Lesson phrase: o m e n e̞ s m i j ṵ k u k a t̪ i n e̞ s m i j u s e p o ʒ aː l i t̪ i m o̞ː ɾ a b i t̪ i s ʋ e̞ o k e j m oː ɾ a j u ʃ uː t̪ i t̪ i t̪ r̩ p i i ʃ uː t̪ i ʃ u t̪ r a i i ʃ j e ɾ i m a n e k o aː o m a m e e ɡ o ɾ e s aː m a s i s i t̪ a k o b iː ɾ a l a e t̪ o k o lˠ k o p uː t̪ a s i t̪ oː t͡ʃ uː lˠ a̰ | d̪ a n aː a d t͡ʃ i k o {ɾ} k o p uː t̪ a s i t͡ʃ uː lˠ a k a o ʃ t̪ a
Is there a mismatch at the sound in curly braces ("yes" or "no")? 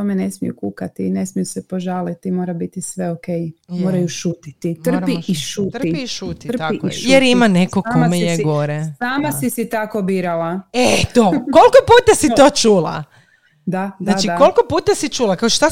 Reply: yes